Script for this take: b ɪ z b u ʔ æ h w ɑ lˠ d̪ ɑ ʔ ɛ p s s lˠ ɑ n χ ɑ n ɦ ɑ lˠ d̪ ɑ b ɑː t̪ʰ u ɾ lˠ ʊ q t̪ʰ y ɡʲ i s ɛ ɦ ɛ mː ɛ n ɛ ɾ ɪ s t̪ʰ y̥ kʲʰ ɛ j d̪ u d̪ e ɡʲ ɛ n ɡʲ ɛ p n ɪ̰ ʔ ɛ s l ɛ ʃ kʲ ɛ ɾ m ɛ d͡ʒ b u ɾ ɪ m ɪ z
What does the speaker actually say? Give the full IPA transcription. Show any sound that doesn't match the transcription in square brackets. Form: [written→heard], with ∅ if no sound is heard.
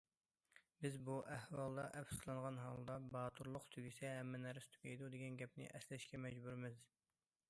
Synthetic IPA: b ɪ z b u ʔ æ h w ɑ lˠ d̪ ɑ ʔ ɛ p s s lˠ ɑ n [χ→ʁ] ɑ n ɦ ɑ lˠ d̪ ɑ b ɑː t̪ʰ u ɾ lˠ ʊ q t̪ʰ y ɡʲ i s ɛ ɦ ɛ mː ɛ n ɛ ɾ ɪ s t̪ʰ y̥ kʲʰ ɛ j d̪ u d̪ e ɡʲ ɛ n ɡʲ ɛ p n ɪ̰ ʔ ɛ s l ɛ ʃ kʲ ɛ [ɾ→∅] m ɛ d͡ʒ b u ɾ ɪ m ɪ z